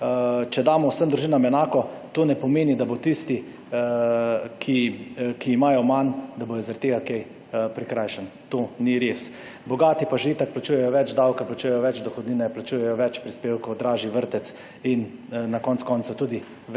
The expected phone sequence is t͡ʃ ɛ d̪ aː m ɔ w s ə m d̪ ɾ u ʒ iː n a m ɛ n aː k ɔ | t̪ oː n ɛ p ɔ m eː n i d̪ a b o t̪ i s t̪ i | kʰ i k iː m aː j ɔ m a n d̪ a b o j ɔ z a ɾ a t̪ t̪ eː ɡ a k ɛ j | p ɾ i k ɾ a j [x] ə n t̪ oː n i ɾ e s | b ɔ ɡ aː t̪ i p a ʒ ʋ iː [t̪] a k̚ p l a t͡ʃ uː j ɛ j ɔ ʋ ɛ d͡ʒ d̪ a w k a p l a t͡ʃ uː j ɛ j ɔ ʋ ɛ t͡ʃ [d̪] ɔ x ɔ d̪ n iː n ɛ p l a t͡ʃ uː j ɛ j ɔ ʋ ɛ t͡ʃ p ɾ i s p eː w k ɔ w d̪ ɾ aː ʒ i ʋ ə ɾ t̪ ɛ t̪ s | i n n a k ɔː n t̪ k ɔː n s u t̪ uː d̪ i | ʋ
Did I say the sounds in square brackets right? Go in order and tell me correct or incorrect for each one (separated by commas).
incorrect, correct, correct